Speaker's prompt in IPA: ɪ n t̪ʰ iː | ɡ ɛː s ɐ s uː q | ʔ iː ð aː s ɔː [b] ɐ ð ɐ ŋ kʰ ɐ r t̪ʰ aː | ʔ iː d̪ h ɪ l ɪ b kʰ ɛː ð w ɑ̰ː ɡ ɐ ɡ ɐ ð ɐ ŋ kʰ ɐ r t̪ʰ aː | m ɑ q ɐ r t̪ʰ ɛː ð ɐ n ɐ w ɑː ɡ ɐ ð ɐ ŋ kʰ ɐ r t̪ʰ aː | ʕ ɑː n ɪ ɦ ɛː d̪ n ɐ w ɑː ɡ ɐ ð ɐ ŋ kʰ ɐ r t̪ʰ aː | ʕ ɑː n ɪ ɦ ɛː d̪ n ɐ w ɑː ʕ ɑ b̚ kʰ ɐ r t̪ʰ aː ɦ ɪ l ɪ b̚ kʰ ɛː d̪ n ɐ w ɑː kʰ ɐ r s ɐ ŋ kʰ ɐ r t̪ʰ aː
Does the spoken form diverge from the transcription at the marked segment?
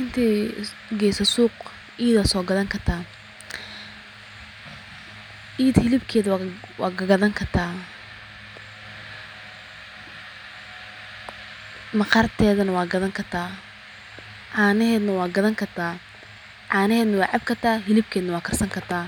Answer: yes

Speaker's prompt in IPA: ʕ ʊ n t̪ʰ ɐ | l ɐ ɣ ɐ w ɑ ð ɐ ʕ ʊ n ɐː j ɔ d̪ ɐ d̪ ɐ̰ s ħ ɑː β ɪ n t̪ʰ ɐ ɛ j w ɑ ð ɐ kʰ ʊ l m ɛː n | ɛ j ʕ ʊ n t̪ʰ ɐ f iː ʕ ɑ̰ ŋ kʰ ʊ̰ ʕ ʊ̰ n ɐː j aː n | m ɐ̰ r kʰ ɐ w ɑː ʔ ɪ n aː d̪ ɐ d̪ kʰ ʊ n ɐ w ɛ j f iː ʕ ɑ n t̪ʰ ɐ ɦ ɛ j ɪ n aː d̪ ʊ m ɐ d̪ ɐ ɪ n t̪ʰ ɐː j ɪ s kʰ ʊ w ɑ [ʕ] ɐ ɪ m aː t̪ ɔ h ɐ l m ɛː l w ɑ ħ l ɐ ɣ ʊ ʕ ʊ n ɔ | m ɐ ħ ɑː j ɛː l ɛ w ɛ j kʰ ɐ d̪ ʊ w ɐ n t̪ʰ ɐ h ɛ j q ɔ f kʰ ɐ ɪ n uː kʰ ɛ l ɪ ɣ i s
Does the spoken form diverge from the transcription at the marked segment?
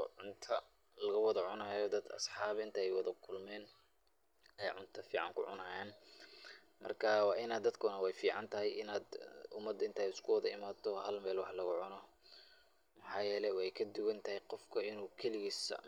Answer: yes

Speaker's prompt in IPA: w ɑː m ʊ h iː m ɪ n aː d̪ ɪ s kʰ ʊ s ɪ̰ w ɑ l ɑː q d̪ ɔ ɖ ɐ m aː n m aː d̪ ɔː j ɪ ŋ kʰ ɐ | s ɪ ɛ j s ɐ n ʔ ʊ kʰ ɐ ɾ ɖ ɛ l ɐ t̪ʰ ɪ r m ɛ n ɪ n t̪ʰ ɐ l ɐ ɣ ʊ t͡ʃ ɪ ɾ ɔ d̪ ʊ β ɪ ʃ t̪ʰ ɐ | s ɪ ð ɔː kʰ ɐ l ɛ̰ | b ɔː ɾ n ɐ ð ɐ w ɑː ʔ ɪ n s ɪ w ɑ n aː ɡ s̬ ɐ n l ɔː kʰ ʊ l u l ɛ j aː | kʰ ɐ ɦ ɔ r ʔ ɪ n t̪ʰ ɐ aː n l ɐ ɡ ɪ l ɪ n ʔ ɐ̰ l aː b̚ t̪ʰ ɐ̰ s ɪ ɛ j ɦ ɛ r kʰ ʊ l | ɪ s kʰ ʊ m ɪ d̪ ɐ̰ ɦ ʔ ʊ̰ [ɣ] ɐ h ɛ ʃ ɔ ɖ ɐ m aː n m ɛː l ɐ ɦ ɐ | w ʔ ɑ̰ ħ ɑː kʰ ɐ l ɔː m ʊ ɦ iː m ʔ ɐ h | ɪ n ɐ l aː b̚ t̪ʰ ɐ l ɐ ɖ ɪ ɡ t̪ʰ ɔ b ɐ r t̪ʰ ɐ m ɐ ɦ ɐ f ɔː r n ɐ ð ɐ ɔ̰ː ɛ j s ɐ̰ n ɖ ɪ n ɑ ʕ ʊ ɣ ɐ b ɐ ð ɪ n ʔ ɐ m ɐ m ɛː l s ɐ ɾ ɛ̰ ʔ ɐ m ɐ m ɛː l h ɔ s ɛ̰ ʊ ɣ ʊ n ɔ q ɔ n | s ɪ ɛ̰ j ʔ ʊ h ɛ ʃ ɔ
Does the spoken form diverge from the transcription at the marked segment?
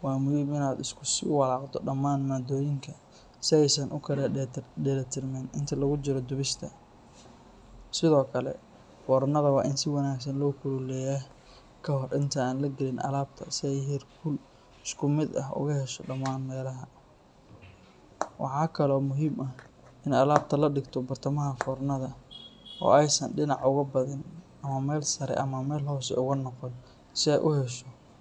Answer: no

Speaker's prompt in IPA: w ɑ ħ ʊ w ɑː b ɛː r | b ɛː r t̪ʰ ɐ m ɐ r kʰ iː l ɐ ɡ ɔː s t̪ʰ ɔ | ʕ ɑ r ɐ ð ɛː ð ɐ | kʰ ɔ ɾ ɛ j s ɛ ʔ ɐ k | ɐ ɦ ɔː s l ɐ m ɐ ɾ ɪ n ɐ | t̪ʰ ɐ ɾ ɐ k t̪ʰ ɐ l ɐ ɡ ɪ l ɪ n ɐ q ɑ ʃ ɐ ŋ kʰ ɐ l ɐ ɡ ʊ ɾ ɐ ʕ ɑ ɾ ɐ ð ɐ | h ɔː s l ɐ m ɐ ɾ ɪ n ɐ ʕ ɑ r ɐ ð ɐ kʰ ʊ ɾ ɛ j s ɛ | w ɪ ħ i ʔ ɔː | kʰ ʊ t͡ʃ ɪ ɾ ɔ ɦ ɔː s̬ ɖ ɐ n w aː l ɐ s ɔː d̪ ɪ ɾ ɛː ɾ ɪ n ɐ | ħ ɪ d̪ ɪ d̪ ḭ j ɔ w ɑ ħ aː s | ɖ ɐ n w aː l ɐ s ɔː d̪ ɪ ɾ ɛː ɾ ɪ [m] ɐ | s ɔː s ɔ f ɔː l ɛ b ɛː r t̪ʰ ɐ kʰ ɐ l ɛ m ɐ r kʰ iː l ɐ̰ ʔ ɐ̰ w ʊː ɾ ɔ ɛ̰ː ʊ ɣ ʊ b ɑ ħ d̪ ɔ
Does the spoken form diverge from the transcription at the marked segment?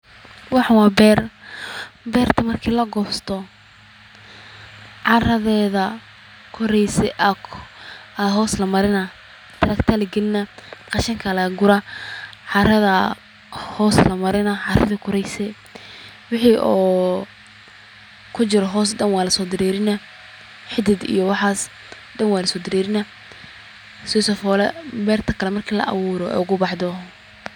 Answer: yes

